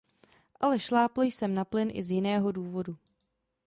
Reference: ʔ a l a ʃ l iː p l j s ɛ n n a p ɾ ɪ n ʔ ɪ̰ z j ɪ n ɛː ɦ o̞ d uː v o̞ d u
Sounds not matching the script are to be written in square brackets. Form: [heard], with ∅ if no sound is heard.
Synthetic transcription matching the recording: ʔ a l [ɛ] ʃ l [aː] p l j s ɛ [m] n a p [l] ɪ n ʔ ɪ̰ z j ɪ n ɛː ɦ o̞ d uː v o̞ d u